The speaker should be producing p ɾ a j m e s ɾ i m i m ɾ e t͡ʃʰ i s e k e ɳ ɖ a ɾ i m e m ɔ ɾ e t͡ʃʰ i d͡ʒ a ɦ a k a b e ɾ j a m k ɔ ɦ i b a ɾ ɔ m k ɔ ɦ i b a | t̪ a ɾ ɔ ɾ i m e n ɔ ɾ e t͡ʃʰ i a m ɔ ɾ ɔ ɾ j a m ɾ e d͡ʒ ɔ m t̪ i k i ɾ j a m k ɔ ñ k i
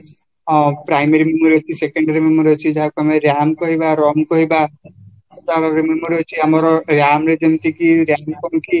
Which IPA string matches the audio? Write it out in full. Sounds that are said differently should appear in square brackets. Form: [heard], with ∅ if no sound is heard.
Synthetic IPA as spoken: p ɾ a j m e [∅] ɾ i m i m ɾ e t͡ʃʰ i s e k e ɳ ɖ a ɾ i m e m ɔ ɾ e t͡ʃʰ i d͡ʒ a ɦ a k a [m] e ɾ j a m k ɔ ɦ i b a ɾ ɔ m k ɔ ɦ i b a | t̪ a ɾ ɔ ɾ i m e [m] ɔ ɾ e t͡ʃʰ i a m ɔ ɾ ɔ ɾ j a m ɾ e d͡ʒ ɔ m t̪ i k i ɾ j a m k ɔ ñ k i